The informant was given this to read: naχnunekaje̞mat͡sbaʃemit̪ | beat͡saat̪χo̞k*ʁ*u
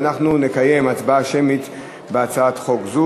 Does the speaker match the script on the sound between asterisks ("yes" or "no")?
no